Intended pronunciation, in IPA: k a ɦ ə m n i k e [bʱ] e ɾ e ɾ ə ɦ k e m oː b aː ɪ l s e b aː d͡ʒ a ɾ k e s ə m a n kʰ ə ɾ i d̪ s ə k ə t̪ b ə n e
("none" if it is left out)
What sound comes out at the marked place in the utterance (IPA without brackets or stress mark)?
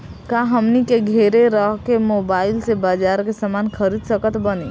ɡʱ